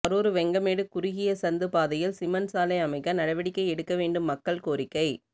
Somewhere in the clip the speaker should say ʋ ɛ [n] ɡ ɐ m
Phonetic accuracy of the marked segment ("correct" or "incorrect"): incorrect